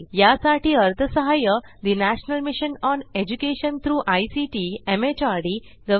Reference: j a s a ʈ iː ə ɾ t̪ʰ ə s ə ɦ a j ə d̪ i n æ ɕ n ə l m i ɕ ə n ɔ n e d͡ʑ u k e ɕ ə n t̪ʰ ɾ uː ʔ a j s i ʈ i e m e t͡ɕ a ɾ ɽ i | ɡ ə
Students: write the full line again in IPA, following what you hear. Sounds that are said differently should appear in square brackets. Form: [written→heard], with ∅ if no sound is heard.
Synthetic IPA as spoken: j a s a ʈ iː ə ɾ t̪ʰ ə s ə ɦ a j ə d̪ i n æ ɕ n ə l m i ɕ ə n ɔ n e d͡ʑ u k e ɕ ə n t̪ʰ ɾ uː ʔ a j s i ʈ i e m e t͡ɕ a ɾ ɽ i | ɡ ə

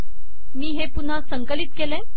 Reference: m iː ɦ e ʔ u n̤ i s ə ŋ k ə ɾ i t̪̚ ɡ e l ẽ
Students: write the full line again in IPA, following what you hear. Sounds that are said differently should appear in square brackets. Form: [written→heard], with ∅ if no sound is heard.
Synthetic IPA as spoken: m iː ɦ e [ʔ→p] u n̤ [i→a] s ə ŋ k ə [ɾ→l] i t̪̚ [ɡ→k] e l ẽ

